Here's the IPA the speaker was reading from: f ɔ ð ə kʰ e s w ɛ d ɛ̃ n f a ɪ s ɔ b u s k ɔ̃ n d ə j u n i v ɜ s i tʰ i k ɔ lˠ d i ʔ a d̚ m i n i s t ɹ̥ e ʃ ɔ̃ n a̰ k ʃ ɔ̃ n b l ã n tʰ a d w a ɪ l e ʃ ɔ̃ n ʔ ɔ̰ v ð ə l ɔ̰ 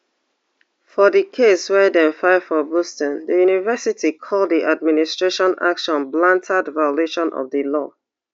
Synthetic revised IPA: f ɔ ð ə kʰ e s w ɛ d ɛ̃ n f a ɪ f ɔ b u s t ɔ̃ n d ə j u n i v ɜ s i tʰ i kʰ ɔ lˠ d i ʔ a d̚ m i n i s t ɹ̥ e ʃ ɔ̃ n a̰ k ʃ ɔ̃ n b l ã n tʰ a d v a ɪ l e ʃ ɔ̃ n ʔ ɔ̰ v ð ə l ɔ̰